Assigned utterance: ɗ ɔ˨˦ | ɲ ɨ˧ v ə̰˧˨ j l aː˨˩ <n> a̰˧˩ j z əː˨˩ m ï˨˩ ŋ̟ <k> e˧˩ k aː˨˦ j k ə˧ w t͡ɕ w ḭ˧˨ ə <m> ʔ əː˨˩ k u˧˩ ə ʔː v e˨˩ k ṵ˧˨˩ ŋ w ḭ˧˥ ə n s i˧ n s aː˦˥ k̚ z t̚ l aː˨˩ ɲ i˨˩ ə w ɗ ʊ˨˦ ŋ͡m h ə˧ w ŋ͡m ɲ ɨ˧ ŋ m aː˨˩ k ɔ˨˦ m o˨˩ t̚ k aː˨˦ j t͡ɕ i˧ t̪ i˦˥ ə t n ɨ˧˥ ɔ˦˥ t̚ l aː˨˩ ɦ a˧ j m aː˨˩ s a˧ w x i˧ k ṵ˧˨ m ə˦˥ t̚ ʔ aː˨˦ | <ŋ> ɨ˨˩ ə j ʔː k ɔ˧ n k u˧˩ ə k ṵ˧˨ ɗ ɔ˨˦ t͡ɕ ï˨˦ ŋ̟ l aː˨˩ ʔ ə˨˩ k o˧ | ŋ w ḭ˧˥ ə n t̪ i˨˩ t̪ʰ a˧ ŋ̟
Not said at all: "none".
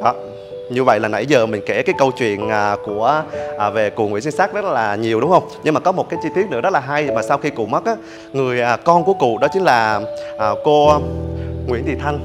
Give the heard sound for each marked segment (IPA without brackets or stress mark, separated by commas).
n, k, n, ŋ